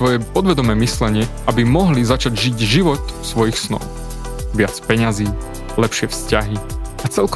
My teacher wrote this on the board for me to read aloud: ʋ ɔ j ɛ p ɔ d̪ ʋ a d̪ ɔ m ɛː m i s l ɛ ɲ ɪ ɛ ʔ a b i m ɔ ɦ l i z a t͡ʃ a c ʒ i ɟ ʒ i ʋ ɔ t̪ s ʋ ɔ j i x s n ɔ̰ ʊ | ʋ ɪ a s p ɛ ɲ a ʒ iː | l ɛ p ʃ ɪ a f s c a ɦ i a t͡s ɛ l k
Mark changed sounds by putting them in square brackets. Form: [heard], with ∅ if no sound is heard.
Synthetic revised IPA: ʋ ɔ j ɛ p ɔ d̪ ʋ [ɛ] d̪ ɔ m ɛː m i s l ɛ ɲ ɪ ɛ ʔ a b i m ɔ ɦ l i z a t͡ʃ a [ɟ] ʒ i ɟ ʒ i ʋ ɔ t̪ s ʋ ɔ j i x s n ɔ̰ ʊ | ʋ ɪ a [t͡s] p ɛ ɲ a [z] iː | l ɛ p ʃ ɪ [ɛ] f s c a ɦ i a t͡s ɛ l k